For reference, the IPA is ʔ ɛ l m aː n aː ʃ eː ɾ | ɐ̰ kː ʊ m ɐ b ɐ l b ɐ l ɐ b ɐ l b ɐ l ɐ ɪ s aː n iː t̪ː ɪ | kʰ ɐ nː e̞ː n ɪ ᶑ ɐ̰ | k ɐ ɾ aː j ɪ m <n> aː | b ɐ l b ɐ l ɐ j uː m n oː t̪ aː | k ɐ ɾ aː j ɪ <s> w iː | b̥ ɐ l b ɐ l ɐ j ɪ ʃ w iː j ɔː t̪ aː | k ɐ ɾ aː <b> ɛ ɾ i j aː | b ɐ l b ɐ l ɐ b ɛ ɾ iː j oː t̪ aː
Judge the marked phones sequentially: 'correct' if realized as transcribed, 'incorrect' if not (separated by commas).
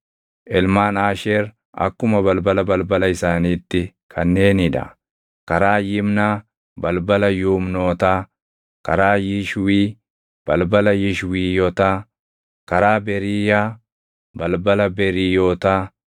correct, incorrect, correct